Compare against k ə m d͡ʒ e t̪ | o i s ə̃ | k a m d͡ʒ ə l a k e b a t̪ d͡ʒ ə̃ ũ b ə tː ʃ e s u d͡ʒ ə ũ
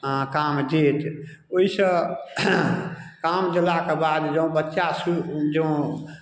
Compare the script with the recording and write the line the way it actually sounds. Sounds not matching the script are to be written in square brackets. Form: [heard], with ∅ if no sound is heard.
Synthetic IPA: k [a] m d͡ʒ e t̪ | o i s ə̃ | k a m d͡ʒ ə l a k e b a [d̪] d͡ʒ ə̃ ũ b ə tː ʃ [a] s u d͡ʒ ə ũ